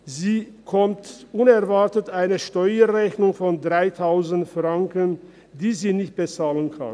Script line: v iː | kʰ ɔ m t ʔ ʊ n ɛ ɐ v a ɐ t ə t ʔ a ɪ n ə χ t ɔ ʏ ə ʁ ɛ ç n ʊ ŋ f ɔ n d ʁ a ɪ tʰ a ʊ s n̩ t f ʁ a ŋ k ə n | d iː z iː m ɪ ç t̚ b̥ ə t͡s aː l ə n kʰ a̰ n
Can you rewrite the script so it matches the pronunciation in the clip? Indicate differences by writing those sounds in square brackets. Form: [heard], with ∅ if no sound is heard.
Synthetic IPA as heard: [z] iː | kʰ ɔ m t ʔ ʊ n ɛ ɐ v a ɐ t ə t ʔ a ɪ n ə [ʃ] t ɔ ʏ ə ʁ ɛ ç n ʊ ŋ f ɔ n d ʁ a ɪ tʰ a ʊ [z] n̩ t f ʁ a ŋ k ə n | d iː z iː [n] ɪ ç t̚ b̥ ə t͡s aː l ə n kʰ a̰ n